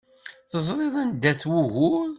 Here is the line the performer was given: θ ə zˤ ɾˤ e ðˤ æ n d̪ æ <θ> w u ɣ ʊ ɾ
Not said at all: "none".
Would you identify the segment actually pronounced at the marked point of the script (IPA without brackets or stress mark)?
θ